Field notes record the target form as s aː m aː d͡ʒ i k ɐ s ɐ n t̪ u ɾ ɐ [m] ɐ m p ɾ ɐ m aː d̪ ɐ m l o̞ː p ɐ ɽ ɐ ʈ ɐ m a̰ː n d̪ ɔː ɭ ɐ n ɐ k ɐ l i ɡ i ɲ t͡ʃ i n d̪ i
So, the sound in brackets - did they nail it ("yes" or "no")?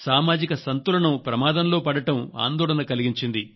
no